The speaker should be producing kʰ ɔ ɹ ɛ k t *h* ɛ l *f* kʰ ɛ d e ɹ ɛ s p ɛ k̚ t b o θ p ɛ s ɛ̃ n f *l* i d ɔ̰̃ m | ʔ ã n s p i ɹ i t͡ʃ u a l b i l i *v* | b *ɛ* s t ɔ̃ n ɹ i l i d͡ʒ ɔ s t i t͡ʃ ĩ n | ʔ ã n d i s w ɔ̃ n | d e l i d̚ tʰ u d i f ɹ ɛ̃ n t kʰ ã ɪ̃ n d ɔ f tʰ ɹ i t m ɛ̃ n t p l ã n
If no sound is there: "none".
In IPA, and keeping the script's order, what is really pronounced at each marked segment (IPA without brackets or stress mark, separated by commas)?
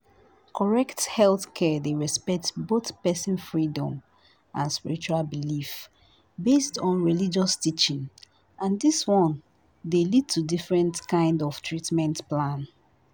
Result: h, θ, ɹ, f, e